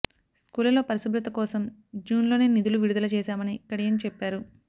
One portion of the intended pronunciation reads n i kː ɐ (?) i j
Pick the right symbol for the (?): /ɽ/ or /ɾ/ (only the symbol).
ɽ